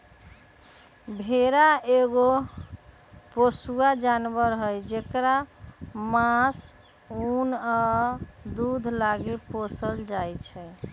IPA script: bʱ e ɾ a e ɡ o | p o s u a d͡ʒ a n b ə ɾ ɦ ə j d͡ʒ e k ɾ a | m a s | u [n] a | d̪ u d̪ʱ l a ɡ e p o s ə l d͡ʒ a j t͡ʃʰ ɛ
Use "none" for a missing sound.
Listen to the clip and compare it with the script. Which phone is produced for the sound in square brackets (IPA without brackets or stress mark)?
n